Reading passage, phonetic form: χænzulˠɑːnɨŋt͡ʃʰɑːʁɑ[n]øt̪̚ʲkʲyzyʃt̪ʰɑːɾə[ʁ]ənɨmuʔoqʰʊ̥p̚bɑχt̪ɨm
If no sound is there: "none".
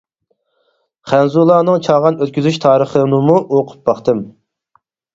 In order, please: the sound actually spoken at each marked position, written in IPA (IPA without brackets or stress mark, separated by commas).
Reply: n, χ